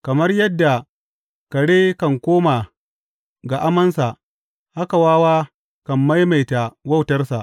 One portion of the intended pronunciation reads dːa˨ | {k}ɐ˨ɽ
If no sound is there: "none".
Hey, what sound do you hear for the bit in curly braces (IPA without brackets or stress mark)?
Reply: k